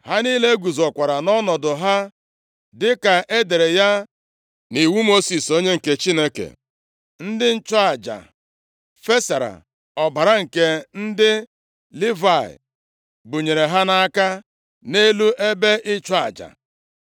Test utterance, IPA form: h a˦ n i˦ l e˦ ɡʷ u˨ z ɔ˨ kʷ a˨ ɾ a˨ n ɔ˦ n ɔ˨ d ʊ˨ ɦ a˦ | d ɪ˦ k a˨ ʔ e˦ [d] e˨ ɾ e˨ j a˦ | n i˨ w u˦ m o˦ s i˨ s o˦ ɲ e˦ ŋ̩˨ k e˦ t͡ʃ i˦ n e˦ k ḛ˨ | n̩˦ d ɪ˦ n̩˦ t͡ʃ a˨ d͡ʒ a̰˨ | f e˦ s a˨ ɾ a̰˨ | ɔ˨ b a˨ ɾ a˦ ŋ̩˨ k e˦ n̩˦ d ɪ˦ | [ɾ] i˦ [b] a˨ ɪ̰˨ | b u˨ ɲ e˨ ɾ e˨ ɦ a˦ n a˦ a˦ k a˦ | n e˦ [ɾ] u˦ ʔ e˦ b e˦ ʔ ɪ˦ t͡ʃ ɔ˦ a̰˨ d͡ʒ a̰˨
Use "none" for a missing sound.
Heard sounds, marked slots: d, l, v, l

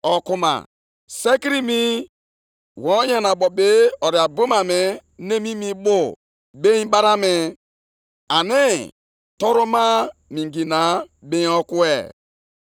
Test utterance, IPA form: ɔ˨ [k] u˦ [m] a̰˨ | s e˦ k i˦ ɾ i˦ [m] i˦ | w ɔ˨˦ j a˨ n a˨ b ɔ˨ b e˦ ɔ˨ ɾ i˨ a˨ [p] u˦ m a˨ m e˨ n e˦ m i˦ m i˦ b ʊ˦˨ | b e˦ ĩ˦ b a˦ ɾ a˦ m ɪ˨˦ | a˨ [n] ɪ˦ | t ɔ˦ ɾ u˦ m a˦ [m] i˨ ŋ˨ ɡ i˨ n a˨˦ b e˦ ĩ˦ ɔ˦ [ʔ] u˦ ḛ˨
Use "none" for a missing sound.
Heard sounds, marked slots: k, m, m, b, n, m, k

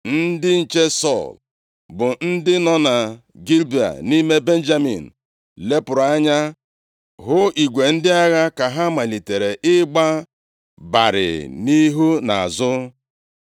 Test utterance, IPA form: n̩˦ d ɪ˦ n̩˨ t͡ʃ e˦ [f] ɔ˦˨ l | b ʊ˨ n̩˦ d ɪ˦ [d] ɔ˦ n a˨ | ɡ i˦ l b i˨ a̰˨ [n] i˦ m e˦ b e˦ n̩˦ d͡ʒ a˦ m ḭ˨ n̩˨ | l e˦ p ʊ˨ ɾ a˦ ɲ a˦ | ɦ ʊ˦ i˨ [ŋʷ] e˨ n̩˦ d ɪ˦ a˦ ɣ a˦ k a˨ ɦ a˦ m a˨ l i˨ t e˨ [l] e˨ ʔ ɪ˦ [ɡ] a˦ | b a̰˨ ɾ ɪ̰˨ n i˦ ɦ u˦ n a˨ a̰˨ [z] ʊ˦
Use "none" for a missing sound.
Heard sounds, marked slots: s, n, n, ɡʷ, ɾ, ɡ͡b, z

